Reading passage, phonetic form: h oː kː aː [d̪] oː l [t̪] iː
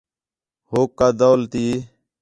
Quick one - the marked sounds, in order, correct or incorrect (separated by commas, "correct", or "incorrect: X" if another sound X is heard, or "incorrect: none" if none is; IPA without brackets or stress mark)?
correct, correct